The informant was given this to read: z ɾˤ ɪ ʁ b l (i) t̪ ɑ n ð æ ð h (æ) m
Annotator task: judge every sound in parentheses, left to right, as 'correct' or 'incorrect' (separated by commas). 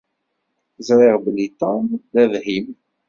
correct, incorrect